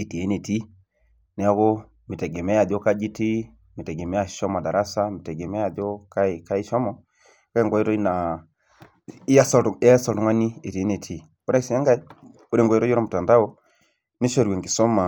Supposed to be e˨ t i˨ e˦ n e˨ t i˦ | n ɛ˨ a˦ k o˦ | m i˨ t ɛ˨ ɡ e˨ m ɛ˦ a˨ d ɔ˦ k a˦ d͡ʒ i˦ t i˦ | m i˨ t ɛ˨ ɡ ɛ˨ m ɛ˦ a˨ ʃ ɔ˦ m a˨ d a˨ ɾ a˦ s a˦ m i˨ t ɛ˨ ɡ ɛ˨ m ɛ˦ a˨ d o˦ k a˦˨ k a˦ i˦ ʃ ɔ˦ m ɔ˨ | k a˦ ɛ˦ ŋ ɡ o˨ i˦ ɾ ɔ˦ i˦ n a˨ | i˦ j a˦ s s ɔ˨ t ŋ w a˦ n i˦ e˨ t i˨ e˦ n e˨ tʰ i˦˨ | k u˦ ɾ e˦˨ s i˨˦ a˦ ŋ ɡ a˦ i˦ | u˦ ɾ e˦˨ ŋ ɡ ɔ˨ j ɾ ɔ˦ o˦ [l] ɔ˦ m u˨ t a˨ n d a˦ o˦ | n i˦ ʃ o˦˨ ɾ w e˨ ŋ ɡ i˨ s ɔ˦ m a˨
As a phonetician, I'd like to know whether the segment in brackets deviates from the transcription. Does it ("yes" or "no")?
yes